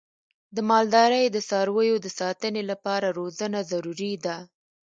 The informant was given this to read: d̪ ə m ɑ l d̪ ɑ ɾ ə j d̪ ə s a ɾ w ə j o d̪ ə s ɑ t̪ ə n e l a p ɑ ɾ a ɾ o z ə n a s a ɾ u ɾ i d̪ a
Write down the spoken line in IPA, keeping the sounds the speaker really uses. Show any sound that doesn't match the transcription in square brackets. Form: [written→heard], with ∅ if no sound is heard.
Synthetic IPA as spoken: d̪ ə m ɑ l d̪ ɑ ɾ ə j d̪ ə s [a→ɑ] ɾ w ə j o d̪ ə s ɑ t̪ ə n e l a p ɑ ɾ a ɾ o z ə n a [s→z] a ɾ u ɾ i d̪ a